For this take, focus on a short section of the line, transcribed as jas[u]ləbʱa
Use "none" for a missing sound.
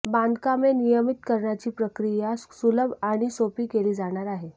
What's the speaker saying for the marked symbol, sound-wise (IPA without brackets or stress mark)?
u